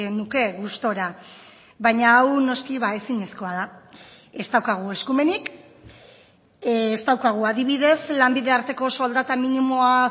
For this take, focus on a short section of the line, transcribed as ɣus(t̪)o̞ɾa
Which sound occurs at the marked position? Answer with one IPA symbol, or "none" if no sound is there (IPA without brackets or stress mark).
t̪